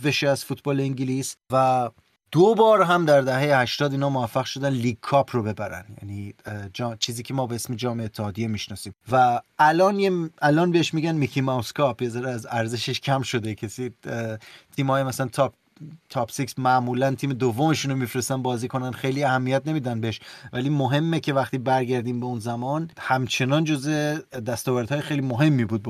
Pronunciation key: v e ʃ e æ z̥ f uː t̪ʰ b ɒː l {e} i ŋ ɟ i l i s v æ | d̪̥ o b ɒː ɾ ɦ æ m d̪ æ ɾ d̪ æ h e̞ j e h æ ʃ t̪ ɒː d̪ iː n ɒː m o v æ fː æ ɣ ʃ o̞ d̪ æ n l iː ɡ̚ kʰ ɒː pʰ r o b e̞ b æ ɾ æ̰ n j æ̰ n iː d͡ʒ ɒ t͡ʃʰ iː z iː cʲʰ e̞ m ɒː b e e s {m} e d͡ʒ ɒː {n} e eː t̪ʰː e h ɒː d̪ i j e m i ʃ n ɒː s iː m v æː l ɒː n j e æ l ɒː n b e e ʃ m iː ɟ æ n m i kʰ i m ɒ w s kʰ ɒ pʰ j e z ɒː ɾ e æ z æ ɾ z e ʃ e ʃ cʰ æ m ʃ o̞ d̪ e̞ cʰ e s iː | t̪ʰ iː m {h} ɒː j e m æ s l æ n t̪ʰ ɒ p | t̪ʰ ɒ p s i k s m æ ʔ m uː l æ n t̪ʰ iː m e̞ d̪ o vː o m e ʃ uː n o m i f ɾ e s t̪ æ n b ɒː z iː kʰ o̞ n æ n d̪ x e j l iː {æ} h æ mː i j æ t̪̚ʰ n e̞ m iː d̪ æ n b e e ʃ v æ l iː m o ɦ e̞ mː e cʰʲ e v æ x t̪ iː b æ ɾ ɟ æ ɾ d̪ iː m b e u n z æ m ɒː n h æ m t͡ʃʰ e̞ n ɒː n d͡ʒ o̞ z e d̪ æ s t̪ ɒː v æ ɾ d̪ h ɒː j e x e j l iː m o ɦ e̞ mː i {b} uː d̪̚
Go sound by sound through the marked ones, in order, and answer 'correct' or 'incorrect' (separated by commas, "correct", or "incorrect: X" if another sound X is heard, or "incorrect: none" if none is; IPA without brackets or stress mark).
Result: correct, correct, incorrect: m, correct, correct, correct